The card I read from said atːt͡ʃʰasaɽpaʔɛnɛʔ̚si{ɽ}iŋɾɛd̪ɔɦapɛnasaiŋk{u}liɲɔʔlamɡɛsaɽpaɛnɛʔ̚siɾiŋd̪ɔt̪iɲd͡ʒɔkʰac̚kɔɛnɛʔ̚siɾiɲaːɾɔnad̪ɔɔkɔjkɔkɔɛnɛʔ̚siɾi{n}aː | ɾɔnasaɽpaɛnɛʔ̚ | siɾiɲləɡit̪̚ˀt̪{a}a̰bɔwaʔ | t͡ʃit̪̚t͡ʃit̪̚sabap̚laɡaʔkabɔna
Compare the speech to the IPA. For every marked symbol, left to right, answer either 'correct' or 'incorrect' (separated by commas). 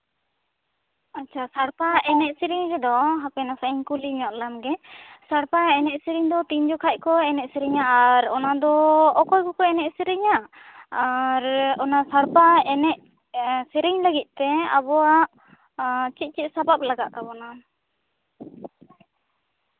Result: incorrect, correct, incorrect, incorrect